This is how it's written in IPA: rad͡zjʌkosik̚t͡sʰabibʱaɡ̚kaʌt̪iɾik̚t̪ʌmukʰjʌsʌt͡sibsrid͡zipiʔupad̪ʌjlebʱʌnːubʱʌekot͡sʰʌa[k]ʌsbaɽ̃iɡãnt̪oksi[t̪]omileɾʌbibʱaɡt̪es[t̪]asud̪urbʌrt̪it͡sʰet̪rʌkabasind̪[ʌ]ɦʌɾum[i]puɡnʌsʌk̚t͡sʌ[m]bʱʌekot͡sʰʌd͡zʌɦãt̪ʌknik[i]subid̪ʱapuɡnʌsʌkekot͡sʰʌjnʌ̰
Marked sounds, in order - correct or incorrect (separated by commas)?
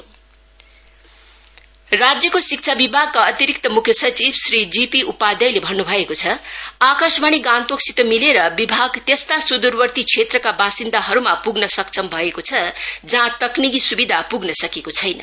correct, correct, correct, incorrect, incorrect, correct, correct